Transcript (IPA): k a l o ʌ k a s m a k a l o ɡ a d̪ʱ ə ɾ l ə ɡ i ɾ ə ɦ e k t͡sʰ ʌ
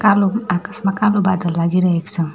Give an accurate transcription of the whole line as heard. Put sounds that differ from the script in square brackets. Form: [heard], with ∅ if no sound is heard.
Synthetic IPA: k a l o [a] k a s m a k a l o [b] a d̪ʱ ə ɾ l [a] ɡ i ɾ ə ɦ e k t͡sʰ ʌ